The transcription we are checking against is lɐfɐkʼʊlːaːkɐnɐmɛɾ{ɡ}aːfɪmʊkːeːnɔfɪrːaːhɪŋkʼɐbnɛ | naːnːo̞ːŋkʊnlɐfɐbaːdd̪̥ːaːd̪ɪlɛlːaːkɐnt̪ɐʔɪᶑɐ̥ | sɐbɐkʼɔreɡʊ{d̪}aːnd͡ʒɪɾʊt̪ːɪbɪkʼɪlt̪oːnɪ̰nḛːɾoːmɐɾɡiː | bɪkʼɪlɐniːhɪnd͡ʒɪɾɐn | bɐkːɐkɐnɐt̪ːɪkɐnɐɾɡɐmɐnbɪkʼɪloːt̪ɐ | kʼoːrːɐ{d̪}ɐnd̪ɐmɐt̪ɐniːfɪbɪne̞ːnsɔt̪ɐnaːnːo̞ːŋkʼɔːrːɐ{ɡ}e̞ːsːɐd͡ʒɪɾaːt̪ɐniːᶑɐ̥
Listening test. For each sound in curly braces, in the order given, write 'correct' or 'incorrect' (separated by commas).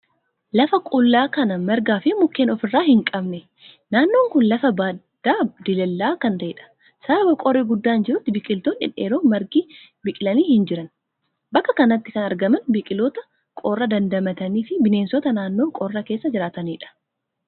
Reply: correct, incorrect, correct, incorrect